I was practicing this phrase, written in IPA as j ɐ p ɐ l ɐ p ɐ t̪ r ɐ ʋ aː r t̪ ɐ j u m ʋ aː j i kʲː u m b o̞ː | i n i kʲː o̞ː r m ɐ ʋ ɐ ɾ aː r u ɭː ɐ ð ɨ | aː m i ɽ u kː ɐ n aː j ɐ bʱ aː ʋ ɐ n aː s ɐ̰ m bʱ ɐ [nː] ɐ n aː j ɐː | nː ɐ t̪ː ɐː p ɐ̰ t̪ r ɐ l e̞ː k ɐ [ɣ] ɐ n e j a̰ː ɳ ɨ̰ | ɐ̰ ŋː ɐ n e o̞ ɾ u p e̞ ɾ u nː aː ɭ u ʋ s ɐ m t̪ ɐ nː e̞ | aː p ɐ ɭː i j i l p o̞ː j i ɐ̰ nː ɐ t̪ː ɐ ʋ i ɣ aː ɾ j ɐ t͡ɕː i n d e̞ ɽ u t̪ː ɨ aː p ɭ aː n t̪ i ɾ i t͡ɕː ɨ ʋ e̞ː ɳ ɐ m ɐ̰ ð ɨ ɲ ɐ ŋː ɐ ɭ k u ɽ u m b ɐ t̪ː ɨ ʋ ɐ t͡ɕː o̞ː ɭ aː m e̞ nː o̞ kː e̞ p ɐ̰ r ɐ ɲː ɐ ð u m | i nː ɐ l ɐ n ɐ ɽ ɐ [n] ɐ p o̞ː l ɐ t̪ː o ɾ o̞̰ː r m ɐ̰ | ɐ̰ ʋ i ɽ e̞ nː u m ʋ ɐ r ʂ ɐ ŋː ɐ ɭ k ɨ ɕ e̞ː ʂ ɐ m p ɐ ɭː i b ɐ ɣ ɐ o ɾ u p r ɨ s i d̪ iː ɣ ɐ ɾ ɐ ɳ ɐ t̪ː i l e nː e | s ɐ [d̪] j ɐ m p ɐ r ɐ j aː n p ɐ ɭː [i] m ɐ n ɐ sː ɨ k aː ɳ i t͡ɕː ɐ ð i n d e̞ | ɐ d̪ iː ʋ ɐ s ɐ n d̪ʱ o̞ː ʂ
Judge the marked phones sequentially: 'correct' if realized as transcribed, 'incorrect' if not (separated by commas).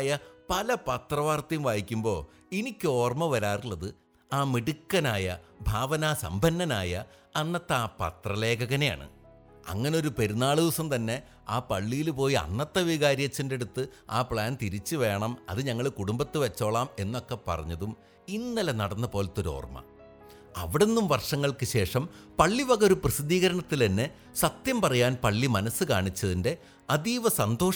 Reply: correct, correct, incorrect, incorrect, correct